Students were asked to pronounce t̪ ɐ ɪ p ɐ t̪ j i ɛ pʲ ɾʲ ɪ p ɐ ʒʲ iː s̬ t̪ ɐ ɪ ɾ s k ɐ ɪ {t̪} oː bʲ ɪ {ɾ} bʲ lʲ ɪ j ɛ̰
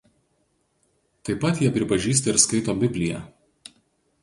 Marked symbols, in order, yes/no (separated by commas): yes, no